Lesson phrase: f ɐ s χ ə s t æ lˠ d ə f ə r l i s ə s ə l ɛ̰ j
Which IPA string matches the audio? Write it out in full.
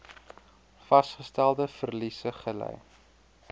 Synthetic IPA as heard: f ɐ s χ ə s t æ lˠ d ə f ə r l i s ə χ ə l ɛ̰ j